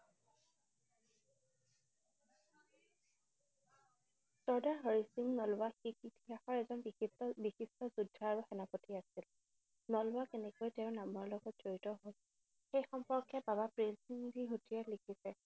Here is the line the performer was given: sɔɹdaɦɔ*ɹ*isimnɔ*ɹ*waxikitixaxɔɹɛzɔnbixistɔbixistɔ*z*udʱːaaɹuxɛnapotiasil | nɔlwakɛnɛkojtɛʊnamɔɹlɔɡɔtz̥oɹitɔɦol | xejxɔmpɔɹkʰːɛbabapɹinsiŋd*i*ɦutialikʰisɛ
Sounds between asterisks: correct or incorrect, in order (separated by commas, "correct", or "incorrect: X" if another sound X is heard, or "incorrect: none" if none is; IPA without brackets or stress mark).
correct, incorrect: l, correct, correct